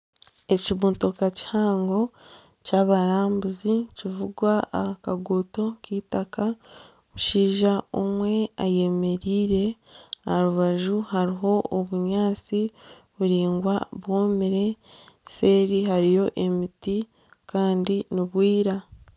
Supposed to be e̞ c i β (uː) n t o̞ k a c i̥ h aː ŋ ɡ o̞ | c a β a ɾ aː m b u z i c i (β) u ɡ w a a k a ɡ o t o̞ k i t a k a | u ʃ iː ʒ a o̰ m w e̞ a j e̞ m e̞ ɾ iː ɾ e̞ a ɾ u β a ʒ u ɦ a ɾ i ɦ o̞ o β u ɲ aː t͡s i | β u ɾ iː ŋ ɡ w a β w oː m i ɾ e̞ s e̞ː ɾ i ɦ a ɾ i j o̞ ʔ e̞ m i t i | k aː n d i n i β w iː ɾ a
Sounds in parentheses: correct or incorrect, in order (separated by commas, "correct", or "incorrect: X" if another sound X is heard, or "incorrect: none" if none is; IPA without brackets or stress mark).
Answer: correct, incorrect: v